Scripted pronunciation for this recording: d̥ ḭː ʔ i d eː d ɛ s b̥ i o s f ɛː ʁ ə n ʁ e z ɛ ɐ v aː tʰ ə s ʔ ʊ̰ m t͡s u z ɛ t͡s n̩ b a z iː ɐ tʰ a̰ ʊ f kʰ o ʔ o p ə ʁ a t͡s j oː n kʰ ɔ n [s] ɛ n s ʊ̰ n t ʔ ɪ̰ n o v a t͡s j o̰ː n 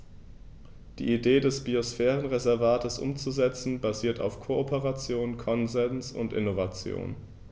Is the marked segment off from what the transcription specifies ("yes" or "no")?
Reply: yes